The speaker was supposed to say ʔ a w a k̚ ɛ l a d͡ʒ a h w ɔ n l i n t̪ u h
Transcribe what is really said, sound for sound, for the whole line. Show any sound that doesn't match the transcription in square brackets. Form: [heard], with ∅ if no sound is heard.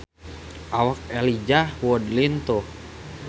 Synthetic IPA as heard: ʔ a w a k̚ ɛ l [i] d͡ʒ a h w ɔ [d] l i n t̪ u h